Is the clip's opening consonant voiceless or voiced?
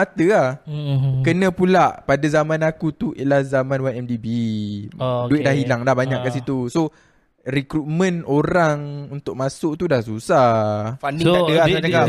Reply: voiceless